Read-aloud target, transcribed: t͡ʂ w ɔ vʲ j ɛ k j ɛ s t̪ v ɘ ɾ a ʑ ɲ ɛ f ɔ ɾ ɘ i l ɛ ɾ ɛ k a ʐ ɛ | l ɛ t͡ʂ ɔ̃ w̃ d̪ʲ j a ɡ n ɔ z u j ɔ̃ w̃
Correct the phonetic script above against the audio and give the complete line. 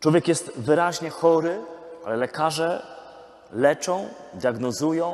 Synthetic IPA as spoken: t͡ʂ w ɔ vʲ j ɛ k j ɛ s t̪ v ɘ ɾ a ʑ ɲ ɛ x ɔ ɾ ɘ a l ɛ l ɛ k a ʐ ɛ | l ɛ t͡ʂ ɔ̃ w̃ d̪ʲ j a ɡ n ɔ z u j ɔ̃ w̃